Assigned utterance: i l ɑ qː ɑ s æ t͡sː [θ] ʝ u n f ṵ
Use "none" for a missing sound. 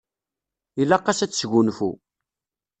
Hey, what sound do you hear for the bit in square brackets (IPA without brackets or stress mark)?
s